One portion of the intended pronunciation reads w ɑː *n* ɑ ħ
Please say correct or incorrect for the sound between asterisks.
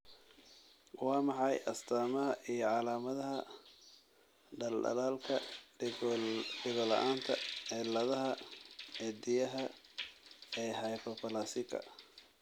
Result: incorrect